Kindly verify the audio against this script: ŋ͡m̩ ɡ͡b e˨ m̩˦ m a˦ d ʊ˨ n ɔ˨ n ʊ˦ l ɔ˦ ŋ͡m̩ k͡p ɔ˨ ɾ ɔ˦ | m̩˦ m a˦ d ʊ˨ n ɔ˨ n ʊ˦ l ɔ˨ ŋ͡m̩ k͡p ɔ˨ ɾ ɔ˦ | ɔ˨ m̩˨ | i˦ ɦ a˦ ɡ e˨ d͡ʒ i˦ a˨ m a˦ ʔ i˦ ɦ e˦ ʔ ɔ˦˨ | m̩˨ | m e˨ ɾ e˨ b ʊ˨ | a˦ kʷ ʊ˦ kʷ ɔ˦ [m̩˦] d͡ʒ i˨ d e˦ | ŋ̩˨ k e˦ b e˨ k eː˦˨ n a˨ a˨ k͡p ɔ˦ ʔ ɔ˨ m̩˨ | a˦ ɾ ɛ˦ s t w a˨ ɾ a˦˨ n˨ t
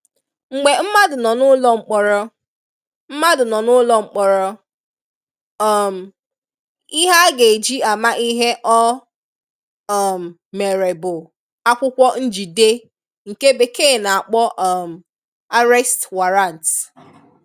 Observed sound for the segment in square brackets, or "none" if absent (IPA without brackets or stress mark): n̩˦